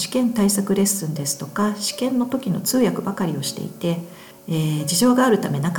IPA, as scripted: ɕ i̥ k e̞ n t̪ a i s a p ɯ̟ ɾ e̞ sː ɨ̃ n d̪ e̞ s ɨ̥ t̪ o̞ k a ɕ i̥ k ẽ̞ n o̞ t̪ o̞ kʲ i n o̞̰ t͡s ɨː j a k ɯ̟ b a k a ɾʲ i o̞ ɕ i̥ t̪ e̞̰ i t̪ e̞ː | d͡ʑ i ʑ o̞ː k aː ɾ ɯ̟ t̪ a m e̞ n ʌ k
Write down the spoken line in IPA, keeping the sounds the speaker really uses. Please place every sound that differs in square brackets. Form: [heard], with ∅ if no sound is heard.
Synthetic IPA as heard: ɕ i̥ k [ẽ̞] n t̪ a i s a [k] ɯ̟ ɾ e̞ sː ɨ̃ n d̪ e̞ s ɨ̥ t̪ o̞ k a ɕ i̥ k ẽ̞ [nː] o̞ t̪ o̞ kʲ i n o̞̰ t͡s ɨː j a k ɯ̟ b a k a ɾʲ i o̞ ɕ i̥ t̪ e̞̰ i t̪ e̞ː | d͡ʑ i ʑ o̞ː [ɡ] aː ɾ ɯ̟ t̪ a m e̞ n [a] k